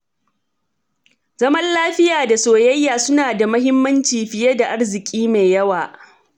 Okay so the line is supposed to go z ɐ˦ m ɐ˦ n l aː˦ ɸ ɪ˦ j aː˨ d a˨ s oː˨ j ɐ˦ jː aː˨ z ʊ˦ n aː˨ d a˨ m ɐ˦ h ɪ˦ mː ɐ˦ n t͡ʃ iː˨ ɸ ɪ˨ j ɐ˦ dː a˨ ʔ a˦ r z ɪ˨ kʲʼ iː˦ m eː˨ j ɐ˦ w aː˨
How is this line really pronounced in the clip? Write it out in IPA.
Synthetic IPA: z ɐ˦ m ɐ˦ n l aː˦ ɸ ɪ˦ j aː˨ d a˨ s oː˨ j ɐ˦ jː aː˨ s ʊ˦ n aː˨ d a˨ m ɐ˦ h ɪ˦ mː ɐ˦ n t͡ʃ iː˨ ɸ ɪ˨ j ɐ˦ d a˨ ʔ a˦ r z ɪ˨ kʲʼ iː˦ m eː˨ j ɐ˦ w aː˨